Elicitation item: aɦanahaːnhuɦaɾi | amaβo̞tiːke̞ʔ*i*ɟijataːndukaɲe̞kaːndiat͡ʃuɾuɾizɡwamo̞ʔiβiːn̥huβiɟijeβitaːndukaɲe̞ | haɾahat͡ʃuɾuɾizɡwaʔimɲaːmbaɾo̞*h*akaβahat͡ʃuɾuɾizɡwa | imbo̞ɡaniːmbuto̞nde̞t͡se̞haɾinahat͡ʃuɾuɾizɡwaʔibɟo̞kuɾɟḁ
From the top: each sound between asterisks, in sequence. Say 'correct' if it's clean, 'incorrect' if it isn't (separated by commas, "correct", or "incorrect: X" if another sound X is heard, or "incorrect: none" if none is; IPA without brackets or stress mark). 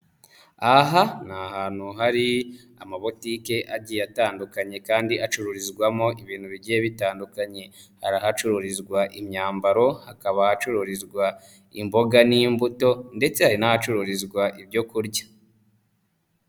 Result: incorrect: a, correct